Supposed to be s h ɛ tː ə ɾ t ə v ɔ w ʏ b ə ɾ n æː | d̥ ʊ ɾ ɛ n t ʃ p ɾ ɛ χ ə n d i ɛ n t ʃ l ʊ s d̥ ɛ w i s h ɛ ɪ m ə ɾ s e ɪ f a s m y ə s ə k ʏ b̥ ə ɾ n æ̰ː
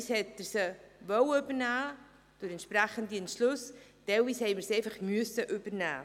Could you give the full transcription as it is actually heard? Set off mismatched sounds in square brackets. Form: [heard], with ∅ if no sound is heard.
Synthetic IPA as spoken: s h ɛ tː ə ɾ [s] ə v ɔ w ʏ b ə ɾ n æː | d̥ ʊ ɾ ɛ n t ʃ p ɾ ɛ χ ə n d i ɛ n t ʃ l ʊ s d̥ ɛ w i s h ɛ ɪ m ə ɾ s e ɪ f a [χ] m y ə s ə [ʔ] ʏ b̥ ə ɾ n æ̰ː